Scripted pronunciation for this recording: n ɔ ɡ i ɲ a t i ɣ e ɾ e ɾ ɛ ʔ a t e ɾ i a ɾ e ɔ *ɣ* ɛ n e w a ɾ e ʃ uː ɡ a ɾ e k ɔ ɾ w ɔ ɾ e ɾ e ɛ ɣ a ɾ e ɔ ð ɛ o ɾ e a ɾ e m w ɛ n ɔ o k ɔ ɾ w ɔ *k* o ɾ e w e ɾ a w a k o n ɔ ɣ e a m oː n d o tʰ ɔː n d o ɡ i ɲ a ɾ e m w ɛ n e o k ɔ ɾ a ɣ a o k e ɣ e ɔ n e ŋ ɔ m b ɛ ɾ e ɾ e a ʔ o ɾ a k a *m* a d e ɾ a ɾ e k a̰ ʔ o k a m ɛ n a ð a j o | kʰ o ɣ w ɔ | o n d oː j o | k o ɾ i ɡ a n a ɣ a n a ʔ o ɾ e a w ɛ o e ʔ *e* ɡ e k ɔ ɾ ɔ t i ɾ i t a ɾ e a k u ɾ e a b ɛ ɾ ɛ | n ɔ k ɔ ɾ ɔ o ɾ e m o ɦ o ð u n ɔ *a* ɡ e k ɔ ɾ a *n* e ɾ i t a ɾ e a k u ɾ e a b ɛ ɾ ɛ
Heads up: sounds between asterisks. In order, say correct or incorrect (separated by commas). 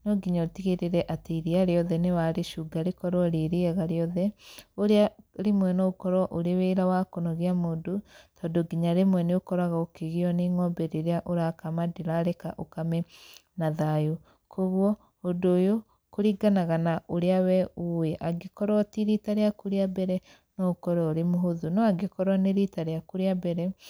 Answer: incorrect, incorrect, correct, incorrect, correct, correct